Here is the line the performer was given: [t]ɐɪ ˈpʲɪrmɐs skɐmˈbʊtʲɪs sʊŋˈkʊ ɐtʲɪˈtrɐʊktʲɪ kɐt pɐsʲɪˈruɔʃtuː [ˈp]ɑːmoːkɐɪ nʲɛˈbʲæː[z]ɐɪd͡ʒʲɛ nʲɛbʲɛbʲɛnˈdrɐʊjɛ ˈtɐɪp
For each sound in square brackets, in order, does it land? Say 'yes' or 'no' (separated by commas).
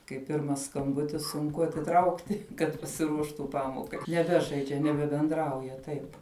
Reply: no, yes, no